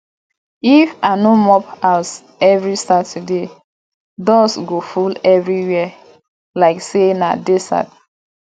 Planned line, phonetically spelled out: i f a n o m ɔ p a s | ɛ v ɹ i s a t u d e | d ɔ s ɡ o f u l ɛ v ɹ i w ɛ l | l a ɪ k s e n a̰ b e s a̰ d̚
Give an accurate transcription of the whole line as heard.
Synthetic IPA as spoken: i f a n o m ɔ p a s | ɛ v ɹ i s a t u d e | d ɔ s ɡ o f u l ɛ v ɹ i w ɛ | l a ɪ k s e n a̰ d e s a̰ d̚